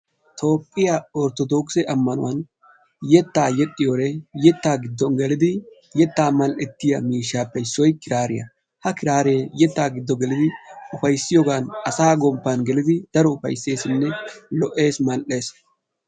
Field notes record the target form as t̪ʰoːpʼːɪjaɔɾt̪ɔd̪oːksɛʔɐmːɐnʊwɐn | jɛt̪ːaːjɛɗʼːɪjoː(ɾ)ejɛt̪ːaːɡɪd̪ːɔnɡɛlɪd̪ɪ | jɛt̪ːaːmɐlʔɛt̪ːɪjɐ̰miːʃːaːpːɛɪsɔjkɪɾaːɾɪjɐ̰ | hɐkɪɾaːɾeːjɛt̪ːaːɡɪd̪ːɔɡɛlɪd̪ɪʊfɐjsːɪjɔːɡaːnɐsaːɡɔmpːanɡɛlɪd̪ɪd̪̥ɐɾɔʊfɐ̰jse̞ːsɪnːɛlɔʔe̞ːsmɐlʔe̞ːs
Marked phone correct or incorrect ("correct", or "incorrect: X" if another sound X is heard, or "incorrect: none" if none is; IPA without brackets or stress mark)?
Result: correct